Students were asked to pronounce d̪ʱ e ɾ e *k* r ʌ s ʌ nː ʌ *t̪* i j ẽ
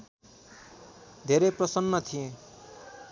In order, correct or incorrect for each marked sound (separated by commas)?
incorrect, incorrect